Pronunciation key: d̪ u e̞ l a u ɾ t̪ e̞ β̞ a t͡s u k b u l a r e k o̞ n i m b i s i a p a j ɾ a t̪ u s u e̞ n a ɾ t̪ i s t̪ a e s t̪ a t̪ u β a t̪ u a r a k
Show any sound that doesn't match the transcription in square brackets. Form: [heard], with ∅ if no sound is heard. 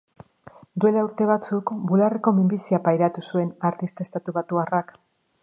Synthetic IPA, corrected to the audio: d̪ u e̞ l a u ɾ t̪ e̞ β̞ a t͡s u k b u l a r e k o̞ [m] i m b i s i a p a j ɾ a t̪ u s u e̞ n a ɾ t̪ i s t̪ a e s t̪ a t̪ u β a t̪ u a r a k